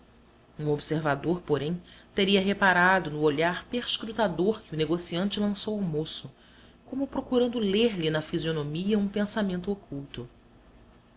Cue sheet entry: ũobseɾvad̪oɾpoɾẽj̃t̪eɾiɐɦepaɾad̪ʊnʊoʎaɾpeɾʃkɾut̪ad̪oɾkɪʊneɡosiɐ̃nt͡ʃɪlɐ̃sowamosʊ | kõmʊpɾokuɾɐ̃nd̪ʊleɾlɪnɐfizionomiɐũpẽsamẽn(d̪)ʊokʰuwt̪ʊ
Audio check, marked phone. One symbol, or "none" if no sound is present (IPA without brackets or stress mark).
t̪